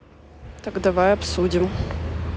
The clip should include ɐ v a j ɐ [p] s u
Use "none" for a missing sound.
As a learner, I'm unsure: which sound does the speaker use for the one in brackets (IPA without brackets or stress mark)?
p